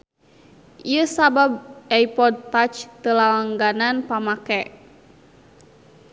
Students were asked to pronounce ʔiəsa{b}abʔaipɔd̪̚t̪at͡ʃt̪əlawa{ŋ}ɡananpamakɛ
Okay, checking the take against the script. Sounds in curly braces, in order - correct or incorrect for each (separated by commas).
correct, correct